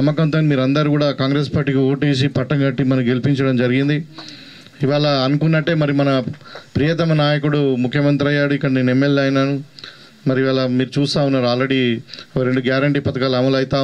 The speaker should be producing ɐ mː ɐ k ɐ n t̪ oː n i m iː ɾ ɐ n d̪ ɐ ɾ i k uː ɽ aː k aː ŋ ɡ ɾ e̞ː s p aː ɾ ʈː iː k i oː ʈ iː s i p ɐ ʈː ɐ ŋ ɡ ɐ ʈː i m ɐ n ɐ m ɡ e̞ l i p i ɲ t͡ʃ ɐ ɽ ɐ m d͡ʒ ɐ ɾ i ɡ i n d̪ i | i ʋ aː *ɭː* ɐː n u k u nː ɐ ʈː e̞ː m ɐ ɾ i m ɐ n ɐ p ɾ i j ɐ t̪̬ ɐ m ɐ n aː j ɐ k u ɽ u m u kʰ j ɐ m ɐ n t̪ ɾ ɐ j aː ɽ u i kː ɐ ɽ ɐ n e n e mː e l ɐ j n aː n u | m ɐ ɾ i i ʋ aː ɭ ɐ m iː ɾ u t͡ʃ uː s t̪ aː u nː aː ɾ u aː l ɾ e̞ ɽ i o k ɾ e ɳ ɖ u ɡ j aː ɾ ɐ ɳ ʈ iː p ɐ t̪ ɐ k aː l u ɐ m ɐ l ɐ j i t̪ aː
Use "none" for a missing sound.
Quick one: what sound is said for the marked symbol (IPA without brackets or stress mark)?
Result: ɭ